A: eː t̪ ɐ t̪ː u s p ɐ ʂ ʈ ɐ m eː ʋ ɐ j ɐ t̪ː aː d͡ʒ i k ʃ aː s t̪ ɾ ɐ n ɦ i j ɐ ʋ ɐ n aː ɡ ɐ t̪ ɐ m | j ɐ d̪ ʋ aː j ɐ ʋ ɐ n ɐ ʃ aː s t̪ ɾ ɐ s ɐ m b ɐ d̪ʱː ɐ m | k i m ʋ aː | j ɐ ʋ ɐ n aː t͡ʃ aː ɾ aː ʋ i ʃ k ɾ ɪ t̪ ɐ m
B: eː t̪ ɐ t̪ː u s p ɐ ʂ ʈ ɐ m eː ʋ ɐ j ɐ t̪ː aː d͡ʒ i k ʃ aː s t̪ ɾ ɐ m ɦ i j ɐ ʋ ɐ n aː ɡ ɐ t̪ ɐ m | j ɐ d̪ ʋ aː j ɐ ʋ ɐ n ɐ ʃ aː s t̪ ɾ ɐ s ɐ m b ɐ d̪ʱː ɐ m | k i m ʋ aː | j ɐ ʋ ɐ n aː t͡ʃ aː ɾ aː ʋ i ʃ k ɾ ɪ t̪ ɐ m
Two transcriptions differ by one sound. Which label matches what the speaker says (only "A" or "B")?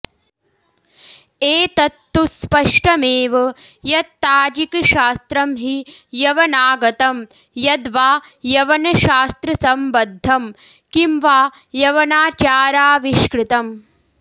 B